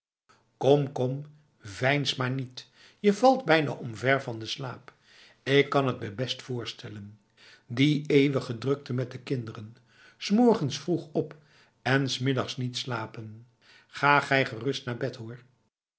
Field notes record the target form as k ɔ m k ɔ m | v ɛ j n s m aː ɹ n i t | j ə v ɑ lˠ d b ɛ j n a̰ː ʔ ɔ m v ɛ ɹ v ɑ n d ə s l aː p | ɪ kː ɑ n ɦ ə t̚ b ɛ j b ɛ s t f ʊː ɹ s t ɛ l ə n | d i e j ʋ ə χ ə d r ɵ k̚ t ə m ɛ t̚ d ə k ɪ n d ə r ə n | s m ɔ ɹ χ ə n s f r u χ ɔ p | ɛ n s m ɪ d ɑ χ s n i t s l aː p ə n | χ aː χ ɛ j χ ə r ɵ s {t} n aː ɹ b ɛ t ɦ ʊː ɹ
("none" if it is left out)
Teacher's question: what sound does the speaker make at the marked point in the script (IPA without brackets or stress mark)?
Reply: t